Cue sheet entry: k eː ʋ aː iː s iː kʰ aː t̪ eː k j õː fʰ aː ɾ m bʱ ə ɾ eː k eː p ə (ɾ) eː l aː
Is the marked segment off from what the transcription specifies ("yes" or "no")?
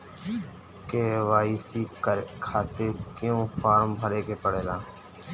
yes